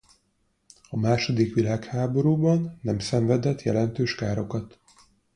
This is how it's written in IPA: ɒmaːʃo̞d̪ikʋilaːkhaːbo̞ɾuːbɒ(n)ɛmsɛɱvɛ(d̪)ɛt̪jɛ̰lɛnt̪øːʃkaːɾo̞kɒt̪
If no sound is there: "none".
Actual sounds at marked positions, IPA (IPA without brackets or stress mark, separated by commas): nː, d̪